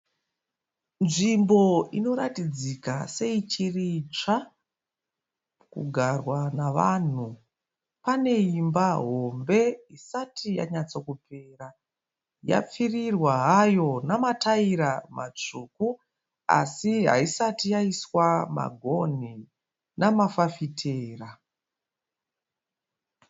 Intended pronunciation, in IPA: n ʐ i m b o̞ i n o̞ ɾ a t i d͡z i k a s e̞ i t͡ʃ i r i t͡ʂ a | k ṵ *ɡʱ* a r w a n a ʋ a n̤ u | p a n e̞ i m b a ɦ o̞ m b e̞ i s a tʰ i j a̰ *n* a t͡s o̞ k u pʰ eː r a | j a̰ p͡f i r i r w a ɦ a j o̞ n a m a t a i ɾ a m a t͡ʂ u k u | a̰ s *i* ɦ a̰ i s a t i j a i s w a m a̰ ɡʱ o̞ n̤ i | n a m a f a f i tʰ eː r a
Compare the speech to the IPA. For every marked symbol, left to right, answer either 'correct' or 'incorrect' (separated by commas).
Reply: correct, incorrect, correct